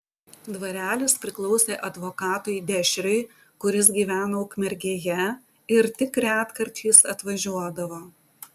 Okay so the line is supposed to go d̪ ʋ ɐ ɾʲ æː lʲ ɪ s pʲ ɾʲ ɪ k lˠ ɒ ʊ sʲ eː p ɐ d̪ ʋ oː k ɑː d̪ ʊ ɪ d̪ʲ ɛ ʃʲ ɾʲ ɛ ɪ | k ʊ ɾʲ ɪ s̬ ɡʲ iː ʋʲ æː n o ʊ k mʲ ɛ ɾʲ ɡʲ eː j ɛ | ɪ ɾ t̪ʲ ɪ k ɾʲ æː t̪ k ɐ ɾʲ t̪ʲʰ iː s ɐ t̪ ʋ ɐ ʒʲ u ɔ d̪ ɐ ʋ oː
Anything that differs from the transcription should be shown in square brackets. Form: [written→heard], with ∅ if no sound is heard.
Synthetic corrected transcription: d̪ ʋ ɐ ɾʲ æː lʲ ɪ s pʲ ɾʲ ɪ k lˠ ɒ ʊ sʲ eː [p→ʔ] ɐ d̪ ʋ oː k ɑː [d̪→t̪] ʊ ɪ d̪ʲ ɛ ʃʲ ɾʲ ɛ ɪ | k ʊ ɾʲ ɪ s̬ ɡʲ iː ʋʲ æː n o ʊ k mʲ ɛ ɾʲ ɡʲ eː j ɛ | ɪ ɾ t̪ʲ ɪ k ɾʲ æː t̪ k ɐ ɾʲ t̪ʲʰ iː s ɐ t̪ ʋ ɐ ʒʲ u ɔ d̪ ɐ ʋ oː